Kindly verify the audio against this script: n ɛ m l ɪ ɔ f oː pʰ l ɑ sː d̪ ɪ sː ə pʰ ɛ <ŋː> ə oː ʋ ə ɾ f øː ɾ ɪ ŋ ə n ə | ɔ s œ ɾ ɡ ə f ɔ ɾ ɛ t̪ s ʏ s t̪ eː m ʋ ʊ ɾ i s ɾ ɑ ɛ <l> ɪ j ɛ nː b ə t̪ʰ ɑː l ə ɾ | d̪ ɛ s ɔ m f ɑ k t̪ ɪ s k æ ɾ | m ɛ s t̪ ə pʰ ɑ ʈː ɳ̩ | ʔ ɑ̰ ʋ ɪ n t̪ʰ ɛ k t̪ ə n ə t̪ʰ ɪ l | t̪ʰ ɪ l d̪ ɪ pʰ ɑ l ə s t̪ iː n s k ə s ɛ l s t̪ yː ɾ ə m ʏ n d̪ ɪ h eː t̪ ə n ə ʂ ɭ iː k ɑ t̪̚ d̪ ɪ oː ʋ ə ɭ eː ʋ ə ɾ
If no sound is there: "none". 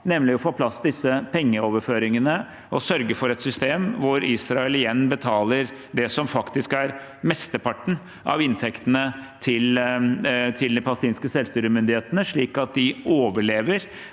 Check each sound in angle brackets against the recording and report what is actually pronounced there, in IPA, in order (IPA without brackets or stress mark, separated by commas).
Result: ŋː, l